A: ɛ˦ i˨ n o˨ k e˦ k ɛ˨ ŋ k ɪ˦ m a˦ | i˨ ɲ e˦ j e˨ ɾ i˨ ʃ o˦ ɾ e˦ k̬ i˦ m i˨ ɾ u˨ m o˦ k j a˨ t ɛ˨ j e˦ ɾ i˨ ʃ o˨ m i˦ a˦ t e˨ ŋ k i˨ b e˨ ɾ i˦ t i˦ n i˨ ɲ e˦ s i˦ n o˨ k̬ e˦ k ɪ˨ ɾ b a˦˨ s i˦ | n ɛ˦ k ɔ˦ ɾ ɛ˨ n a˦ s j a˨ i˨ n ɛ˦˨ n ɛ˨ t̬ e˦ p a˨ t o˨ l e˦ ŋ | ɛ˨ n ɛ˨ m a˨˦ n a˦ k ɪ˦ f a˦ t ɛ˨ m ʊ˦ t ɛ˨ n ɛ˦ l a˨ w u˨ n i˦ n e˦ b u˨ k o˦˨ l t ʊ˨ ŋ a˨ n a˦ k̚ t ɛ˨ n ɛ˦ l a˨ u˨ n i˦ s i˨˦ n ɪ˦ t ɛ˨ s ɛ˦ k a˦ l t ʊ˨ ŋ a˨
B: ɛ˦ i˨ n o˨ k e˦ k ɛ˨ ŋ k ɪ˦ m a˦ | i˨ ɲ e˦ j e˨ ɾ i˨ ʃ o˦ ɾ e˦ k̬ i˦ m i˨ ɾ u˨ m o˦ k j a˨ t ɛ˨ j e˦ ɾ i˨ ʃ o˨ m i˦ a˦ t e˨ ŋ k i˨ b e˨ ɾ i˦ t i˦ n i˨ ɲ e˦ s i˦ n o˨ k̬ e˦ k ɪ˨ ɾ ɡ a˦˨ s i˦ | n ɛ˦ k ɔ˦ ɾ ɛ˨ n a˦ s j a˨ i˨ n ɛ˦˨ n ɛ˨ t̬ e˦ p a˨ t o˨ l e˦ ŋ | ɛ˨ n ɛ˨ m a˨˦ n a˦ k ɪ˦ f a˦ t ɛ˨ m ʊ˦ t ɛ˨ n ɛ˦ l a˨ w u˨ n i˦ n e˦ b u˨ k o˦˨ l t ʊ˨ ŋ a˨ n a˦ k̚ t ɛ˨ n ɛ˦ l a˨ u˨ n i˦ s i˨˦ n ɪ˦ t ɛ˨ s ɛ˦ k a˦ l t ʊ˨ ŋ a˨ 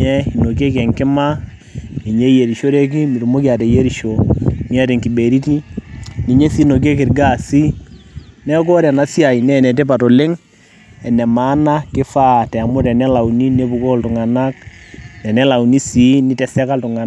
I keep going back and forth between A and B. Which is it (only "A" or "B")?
B